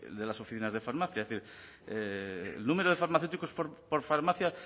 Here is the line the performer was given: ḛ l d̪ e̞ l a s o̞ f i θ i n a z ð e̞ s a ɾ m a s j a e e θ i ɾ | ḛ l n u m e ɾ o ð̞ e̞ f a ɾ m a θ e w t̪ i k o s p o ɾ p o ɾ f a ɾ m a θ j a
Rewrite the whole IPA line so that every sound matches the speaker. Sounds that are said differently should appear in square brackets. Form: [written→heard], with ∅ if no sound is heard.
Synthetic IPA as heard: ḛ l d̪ e̞ l a s o̞ f i θ i n a z ð e̞ [s→f] a ɾ m a [s→θ] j a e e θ i ɾ | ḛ l n u m e ɾ o ð̞ e̞ f a ɾ m a θ e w t̪ i k o s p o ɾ p o ɾ f a ɾ m a θ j a